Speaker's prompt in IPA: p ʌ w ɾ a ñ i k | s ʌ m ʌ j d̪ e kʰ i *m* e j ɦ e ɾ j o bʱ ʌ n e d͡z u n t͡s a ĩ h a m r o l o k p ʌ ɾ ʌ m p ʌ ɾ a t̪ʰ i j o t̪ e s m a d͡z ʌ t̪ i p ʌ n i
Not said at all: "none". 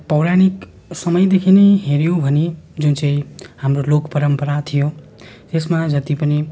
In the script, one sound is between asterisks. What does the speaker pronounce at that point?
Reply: n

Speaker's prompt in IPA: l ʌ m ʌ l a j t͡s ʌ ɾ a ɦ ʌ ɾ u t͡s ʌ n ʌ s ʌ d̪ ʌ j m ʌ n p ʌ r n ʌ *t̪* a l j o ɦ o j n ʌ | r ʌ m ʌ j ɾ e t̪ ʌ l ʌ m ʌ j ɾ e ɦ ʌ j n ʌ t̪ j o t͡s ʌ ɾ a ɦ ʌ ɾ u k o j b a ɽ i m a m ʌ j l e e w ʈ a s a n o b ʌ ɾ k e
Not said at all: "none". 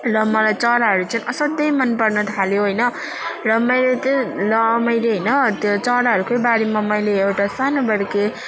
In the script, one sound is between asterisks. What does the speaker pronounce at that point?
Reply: t̪ʰ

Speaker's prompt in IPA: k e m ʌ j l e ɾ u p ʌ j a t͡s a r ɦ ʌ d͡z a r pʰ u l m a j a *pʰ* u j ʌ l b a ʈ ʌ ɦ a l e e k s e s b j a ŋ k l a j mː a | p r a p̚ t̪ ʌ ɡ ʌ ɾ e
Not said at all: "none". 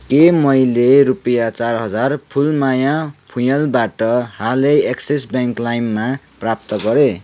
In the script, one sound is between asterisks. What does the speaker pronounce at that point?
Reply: pʰ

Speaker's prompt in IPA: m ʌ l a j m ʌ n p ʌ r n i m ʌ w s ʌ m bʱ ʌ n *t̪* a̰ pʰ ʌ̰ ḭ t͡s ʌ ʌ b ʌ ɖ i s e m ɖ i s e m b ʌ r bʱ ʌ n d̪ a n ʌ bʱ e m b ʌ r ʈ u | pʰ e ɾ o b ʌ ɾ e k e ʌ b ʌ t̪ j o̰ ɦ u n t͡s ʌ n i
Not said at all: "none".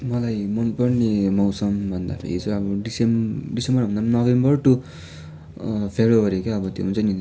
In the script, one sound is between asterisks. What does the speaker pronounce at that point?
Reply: d̪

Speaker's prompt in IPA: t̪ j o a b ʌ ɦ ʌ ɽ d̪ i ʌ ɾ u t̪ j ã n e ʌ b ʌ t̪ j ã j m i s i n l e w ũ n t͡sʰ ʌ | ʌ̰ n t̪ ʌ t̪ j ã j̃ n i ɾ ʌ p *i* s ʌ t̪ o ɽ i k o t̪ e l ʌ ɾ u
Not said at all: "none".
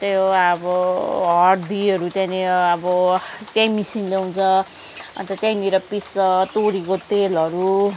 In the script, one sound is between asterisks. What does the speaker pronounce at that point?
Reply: i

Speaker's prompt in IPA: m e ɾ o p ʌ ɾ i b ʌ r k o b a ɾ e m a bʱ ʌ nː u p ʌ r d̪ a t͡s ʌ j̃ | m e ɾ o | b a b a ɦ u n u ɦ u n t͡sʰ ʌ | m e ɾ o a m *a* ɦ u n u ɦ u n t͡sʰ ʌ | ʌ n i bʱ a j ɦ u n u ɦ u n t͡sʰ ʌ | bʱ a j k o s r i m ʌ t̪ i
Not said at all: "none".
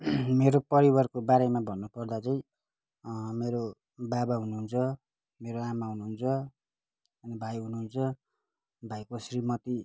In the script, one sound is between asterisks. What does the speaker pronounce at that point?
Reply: a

